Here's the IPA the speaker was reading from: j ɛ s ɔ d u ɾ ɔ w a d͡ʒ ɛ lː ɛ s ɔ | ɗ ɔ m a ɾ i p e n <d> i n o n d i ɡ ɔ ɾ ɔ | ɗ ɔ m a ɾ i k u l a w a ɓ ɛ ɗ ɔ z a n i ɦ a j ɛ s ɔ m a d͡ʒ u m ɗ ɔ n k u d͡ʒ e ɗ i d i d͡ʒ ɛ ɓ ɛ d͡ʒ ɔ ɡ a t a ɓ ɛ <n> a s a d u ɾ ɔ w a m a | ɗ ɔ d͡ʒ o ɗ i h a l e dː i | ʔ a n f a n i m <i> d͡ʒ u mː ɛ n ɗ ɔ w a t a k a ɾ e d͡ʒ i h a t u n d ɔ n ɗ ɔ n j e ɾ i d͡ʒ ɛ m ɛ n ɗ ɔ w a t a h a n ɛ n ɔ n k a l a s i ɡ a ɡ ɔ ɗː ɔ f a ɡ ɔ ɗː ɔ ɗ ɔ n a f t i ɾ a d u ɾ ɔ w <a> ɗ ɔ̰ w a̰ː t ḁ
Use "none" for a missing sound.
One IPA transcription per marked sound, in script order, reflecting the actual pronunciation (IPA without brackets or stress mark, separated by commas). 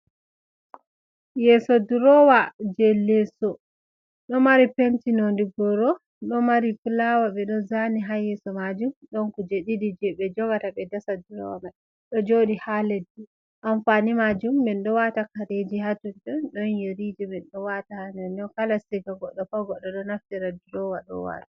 t, d, a, a